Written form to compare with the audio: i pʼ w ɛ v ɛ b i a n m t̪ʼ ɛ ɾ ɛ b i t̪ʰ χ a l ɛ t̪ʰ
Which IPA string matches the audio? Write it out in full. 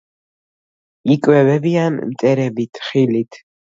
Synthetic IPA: i kʼ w ɛ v ɛ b i a n m t̪ʼ ɛ ɾ ɛ b i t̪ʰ χ i l i t̪ʰ